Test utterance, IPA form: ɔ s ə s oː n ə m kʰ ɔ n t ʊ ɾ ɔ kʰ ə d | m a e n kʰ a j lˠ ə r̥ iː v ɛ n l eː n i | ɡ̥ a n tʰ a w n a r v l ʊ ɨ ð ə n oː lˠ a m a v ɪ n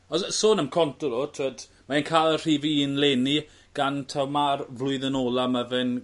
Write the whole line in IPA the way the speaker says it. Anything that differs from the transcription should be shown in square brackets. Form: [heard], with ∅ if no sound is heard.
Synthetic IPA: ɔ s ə s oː n ə m kʰ ɔ n t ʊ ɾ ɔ [tʰ] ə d | m a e n kʰ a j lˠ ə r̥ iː v [i] n l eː n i | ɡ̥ a n tʰ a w [m] a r v l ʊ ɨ ð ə n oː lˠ a m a v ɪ n